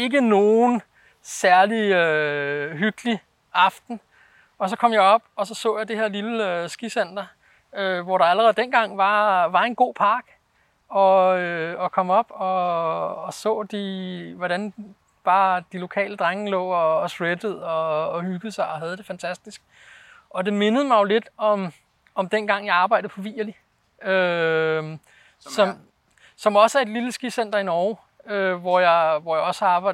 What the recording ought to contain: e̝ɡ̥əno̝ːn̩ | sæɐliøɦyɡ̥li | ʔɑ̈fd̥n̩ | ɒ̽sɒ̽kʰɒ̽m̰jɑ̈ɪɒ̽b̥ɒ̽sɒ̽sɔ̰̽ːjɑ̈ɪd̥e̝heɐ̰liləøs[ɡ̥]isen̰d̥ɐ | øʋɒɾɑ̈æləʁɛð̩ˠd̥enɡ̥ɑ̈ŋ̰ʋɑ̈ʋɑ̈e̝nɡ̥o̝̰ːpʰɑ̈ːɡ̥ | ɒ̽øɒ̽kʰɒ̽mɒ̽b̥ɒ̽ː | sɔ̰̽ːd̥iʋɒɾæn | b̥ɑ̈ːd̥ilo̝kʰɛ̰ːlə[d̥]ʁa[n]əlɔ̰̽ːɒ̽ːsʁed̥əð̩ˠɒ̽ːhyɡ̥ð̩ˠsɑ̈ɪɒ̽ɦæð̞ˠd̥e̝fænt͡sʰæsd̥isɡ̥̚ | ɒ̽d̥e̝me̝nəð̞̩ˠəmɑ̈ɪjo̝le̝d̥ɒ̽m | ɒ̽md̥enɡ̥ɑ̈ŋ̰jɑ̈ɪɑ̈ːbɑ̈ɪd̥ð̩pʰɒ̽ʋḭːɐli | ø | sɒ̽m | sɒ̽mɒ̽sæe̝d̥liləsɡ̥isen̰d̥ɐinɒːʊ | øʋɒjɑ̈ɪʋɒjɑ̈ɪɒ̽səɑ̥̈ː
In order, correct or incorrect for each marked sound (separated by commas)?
correct, correct, incorrect